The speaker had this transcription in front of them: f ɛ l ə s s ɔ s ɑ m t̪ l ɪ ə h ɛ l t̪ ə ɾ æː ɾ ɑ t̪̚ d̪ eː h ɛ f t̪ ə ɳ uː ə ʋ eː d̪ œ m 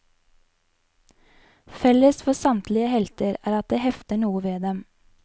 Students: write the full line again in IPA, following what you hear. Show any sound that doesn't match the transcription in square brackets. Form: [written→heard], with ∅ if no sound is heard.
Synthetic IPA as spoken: f ɛ l ə s [s→f] ɔ s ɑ m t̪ l ɪ ə h ɛ l t̪ ə ɾ æː ɾ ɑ t̪̚ d̪ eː h ɛ f t̪ ə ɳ uː ə ʋ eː d̪ [œ→ɛ] m